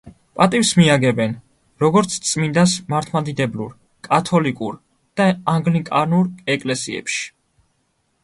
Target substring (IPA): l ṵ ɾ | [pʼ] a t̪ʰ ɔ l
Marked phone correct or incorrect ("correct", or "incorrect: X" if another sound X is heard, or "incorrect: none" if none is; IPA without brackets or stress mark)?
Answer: incorrect: kʼ